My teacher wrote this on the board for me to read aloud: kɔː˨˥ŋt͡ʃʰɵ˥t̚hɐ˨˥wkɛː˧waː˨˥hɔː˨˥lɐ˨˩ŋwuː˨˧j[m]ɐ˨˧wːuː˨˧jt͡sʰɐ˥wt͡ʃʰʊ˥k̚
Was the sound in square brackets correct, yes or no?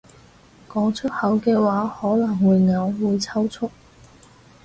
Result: no